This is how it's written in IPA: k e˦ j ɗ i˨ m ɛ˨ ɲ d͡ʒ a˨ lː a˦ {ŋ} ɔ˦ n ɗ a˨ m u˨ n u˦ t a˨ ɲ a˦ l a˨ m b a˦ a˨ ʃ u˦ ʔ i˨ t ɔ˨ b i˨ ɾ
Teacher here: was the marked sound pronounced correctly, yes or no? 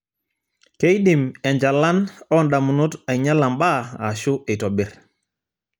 no